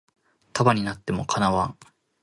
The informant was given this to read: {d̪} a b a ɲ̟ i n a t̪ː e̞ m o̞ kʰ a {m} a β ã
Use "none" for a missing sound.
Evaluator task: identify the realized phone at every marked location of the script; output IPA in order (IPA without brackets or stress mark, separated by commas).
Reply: t̪, n